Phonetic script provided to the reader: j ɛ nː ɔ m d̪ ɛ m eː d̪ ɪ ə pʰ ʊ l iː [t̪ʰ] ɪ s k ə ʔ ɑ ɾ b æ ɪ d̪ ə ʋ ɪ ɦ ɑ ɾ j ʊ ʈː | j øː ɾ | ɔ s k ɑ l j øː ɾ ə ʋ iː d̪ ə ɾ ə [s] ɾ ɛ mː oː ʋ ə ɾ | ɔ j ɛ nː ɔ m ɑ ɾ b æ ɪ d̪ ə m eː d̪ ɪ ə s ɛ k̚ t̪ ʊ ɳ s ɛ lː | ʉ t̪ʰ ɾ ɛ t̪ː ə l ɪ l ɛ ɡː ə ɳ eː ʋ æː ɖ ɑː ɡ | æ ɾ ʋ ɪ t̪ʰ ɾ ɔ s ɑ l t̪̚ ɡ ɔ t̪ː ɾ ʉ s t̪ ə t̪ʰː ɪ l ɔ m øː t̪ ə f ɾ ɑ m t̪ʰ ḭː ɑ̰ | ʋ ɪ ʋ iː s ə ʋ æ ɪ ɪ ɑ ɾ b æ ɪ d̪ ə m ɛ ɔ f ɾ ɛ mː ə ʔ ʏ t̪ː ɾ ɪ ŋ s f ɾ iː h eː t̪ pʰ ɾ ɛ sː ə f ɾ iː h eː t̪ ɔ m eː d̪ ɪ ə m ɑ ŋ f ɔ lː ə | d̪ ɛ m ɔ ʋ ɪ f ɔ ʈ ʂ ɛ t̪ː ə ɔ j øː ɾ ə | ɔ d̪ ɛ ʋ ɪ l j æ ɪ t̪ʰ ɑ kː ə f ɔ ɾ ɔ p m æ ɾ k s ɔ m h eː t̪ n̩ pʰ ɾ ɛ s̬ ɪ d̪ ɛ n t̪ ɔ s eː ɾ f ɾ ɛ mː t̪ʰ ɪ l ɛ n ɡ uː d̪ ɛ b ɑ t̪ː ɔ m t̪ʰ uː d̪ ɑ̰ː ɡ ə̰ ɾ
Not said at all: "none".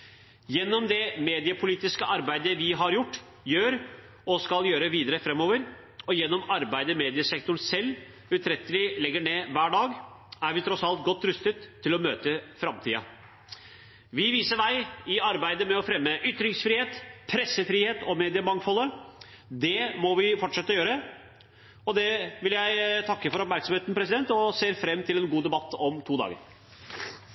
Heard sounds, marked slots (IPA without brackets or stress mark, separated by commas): t̪, f